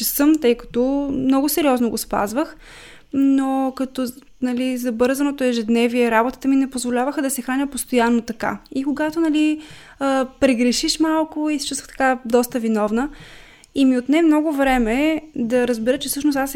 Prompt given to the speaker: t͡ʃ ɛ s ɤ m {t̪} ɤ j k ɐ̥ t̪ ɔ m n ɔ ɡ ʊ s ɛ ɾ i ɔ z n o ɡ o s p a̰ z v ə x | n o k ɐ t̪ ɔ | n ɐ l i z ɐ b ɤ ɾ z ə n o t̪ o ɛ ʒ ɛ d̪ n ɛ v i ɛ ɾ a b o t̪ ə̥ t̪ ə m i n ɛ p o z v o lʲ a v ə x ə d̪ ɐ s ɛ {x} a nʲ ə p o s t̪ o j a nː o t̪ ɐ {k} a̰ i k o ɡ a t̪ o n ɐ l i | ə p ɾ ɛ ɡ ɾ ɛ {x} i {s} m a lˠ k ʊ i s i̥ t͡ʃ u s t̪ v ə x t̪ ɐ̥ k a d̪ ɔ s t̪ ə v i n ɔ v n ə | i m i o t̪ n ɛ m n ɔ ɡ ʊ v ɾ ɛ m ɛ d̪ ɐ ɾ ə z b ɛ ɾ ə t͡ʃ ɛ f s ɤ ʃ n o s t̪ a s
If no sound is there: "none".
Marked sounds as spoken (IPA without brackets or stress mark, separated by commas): t̪, x, k, ʃ, ʃ